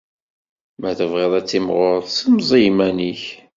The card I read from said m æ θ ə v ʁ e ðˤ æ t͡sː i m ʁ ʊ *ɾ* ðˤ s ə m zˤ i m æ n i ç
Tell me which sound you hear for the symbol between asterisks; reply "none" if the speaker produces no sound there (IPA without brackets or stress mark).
ɾ